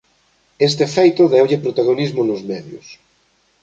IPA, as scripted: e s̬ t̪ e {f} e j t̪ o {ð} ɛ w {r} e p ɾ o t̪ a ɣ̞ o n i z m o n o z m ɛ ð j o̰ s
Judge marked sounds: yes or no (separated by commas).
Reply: yes, yes, no